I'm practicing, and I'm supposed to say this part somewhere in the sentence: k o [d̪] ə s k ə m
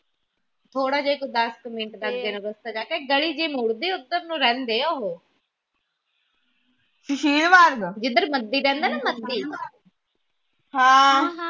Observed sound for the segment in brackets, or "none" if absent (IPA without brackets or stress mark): d̪